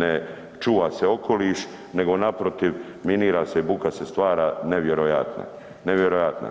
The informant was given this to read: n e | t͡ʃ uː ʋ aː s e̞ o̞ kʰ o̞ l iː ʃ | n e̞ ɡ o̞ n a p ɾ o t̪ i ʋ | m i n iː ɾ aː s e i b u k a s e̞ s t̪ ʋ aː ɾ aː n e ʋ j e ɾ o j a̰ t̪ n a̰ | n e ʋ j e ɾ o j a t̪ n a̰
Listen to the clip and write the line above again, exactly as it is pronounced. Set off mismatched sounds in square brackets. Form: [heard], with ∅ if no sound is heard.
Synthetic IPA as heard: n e | t͡ʃ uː ʋ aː s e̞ o̞ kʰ o̞ l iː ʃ | n e̞ ɡ o̞ n a p ɾ o t̪ i ʋ | m i n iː ɾ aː s e i b u k a s e̞ s t̪ ʋ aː ɾ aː n e ʋ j e ɾ o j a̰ t̪ n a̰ | n e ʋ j e ɾ o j a t̪ n a̰